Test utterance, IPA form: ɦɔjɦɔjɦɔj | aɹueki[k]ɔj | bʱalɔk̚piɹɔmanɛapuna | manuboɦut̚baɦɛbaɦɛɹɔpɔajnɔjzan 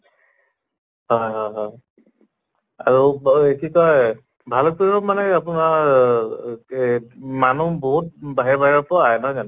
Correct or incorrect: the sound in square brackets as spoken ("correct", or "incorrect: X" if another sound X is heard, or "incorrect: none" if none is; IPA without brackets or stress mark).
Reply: correct